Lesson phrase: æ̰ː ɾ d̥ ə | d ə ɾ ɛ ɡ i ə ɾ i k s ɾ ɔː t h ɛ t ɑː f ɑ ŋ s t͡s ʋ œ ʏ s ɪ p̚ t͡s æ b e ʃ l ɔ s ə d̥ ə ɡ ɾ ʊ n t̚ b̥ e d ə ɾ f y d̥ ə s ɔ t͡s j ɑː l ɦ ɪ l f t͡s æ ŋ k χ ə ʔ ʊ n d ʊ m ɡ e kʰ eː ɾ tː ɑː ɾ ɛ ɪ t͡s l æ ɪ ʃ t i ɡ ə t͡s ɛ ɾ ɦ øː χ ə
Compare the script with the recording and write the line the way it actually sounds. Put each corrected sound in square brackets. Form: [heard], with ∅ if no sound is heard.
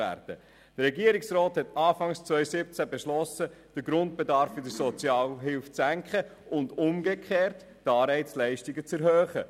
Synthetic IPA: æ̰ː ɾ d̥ ə | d ə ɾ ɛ ɡ i ə ɾ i k s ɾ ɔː t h ɛ t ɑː f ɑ ŋ s t͡s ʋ œ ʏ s ɪ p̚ t͡s æ b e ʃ l ɔ s ə d̥ ə ɡ ɾ ʊ n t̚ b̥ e d [ɑ] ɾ f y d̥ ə s ɔ t͡s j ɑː l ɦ ɪ l f t͡s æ ŋ k χ ə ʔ ʊ n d ʊ m ɡ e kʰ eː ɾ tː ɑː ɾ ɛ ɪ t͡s l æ ɪ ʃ t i ɡ ə t͡s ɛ ɾ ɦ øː χ ə

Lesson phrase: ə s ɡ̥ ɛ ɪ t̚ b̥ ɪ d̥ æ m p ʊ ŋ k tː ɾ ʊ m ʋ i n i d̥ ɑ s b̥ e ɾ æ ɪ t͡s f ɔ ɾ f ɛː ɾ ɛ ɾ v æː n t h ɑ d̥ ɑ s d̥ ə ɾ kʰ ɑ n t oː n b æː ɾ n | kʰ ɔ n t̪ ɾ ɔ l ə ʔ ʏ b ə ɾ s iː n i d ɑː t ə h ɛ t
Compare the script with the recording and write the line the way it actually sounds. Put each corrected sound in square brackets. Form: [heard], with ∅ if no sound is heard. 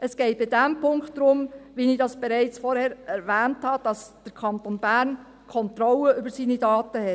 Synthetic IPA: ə s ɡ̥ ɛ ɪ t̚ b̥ ɪ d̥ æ m p ʊ ŋ k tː ɾ ʊ m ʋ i n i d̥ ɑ s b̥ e ɾ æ ɪ t͡s f ɔ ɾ [h] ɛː ɾ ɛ ɾ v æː n t h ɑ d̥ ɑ s d̥ ə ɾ kʰ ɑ n t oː n b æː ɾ n | kʰ ɔ n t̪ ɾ ɔ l ə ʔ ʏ b ə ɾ s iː n i d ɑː t ə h ɛ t

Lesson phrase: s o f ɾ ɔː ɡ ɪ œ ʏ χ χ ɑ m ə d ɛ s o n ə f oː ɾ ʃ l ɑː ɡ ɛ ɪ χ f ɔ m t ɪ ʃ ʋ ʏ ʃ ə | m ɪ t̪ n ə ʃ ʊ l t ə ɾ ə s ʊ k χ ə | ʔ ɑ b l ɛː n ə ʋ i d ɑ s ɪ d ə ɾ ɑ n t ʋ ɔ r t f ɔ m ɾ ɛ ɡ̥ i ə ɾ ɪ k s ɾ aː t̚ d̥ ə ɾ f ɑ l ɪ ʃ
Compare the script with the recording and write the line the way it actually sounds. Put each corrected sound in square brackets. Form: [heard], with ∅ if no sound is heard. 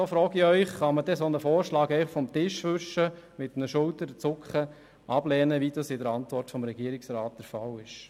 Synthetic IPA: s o f ɾ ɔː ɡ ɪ œ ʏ χ χ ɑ m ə d ɛ s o n ə f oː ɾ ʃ l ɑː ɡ ɛ ɪ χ f ɔ m t ɪ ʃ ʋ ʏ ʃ ə | m ɪ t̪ n ə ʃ ʊ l t ə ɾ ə [t͡s] ʊ k χ ə | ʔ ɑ b l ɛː n ə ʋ i d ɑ s ɪ d ə ɾ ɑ n t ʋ ɔ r t f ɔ m ɾ ɛ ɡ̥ i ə ɾ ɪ k s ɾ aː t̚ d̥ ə ɾ f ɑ l ɪ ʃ

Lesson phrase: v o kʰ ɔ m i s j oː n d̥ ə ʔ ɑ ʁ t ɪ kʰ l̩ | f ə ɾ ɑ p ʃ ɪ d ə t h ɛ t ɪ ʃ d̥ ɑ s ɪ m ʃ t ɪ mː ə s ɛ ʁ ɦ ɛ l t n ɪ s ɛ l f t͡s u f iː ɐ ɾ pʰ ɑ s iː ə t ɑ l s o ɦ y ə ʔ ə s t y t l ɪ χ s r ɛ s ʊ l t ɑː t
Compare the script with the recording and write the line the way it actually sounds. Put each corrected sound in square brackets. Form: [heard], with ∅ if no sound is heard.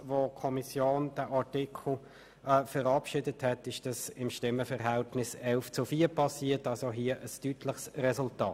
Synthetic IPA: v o kʰ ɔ m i s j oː n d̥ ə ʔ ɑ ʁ t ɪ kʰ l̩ | f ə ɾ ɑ p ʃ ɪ d ə t h ɛ t ɪ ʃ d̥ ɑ s ɪ m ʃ t ɪ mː ə [f] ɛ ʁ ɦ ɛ l t n ɪ s ɛ l f t͡s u f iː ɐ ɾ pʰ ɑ s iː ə t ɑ l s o ɦ [i] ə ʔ ə s t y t l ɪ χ s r ɛ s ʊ l t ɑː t

